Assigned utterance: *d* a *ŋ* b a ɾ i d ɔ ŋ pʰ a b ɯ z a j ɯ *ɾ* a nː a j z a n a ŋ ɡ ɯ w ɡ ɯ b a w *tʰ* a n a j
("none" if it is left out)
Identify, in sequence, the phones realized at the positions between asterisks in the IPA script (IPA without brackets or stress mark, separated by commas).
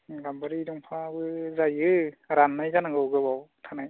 ɡ, m, ɾ, tʰ